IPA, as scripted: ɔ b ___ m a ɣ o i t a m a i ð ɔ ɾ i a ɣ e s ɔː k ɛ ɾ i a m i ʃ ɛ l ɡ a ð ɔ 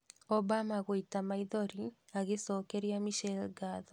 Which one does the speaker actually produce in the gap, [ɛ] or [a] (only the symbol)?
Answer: a